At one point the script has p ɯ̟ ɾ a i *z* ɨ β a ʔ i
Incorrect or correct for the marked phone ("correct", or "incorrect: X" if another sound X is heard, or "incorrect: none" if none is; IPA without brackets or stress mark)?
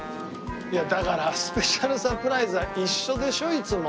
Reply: correct